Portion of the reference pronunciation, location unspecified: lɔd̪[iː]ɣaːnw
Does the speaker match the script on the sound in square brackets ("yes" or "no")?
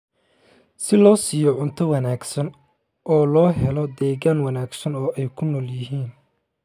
no